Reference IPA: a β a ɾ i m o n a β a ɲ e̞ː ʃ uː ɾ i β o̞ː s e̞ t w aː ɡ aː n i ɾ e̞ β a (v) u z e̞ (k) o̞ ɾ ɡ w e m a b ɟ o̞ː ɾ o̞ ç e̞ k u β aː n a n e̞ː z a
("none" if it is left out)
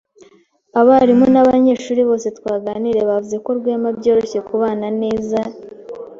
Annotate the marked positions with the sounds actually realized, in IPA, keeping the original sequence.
v, k

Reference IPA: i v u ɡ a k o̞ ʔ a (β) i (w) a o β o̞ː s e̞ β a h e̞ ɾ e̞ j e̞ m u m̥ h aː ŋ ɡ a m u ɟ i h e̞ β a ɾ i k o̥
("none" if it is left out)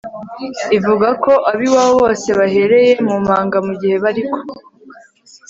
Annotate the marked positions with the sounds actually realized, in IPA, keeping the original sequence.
β, w

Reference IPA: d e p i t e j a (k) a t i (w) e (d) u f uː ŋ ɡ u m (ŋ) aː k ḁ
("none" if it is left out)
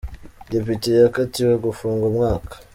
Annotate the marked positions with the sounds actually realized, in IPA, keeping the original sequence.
k, w, ɡ, ŋ

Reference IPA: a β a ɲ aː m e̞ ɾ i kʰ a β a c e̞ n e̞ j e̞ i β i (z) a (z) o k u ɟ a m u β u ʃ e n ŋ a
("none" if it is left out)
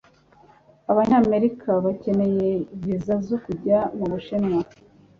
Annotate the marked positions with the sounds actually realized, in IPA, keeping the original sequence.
z, z

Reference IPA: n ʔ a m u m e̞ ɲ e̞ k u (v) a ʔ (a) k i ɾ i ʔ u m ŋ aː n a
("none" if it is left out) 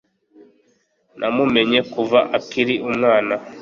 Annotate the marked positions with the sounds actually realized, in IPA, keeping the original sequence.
v, a

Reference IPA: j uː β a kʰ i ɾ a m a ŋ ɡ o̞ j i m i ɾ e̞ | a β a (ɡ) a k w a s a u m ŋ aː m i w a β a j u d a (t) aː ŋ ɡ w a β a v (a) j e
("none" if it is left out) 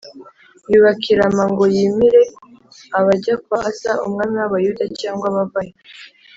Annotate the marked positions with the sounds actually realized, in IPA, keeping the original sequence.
ɟ, c, a

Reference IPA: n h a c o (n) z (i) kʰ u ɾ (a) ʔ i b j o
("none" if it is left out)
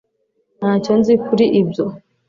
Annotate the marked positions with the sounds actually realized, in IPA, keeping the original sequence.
n, i, i

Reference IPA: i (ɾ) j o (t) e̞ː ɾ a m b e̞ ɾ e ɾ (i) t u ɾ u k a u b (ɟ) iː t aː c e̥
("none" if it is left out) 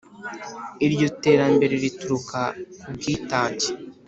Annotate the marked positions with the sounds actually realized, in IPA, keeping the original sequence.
ɾ, t, i, ɡ

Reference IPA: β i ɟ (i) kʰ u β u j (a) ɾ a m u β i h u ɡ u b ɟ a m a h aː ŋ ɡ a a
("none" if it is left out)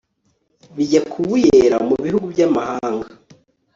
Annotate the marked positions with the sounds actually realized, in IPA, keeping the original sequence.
a, e

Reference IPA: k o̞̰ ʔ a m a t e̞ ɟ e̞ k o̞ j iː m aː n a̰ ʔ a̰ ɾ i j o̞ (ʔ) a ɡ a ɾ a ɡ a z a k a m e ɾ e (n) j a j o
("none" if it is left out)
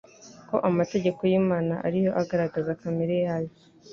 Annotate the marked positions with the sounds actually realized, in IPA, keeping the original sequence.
ʔ, none

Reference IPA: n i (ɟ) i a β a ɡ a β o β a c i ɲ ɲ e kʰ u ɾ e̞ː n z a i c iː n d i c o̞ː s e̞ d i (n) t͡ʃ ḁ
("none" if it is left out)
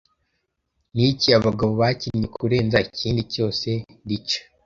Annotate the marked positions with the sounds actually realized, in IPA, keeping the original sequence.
c, none

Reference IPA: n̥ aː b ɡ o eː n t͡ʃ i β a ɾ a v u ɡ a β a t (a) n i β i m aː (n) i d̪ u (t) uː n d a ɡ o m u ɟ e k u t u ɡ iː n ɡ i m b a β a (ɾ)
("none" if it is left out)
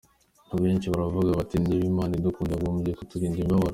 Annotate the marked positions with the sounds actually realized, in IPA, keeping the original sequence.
i, n, k, ɾ

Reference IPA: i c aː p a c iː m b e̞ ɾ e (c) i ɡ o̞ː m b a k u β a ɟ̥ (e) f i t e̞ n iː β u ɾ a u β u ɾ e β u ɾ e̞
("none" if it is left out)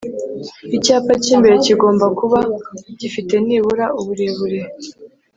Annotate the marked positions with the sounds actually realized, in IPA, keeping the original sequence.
c, i

